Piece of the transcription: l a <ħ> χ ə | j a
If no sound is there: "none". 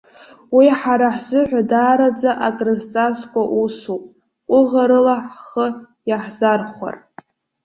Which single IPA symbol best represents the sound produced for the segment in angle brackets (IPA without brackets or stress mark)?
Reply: ħ